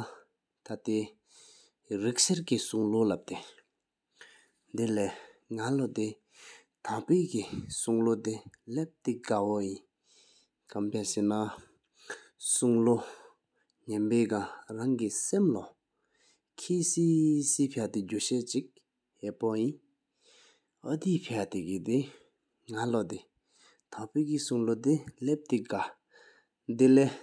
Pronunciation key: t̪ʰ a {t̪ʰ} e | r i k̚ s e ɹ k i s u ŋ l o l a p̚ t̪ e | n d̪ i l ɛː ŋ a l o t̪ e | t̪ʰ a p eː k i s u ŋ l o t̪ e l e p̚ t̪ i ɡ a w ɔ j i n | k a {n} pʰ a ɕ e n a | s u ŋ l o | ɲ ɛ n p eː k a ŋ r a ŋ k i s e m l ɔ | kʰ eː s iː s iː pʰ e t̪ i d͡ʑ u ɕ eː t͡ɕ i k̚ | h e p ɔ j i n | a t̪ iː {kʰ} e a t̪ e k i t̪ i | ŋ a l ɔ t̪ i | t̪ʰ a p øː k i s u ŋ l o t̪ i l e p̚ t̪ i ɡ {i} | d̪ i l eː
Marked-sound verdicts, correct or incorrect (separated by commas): incorrect, incorrect, incorrect, incorrect